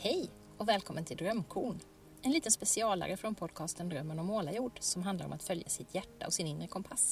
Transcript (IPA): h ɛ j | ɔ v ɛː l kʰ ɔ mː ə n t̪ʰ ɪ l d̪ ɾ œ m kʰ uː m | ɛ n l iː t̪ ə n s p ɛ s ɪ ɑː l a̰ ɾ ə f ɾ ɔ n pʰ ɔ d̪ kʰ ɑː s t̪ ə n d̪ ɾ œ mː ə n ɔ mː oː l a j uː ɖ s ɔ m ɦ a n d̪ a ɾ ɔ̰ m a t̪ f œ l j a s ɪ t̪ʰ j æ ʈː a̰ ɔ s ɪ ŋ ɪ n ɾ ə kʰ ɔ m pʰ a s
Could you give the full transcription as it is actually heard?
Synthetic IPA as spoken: h ɛ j | ɔ v ɛː l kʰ ɔ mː ə n t̪ʰ ɪ l d̪ ɾ œ m kʰ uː ɳ | ɛ n l iː t̪ ə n s p ɛ s ɪ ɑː l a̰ ɾ ə f ɾ ɔ n pʰ ɔ d̪ kʰ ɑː s t̪ ə n d̪ ɾ œ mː ə n ɔ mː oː l a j uː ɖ s ɔ m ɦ a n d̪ a ɾ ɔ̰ m a t̪ f œ l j a s ɪ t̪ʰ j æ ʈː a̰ ɔ s ɪ n ɪ n ɾ ə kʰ ɔ m pʰ a s